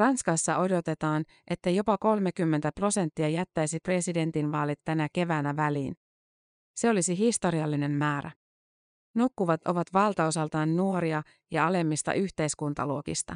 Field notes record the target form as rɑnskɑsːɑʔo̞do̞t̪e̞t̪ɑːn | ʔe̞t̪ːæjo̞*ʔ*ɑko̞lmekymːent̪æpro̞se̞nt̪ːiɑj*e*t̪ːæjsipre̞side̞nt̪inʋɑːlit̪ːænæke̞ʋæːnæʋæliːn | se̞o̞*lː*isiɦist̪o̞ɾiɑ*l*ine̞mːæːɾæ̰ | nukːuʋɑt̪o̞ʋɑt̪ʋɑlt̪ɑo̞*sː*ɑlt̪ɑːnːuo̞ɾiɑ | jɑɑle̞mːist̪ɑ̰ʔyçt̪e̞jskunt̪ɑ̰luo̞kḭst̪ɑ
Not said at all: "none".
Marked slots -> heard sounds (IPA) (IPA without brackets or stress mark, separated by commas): p, æ, l, lː, s